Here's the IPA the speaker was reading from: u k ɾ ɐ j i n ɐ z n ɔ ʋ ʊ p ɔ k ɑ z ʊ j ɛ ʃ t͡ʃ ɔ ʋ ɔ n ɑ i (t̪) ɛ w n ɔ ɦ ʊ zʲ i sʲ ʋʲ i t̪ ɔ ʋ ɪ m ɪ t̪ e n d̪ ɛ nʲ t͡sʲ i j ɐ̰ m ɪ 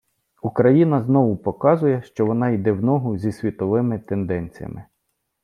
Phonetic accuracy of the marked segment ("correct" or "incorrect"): incorrect